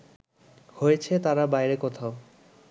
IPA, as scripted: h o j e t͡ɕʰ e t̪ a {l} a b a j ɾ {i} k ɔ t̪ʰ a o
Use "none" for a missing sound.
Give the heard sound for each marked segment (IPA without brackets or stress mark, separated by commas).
ɾ, e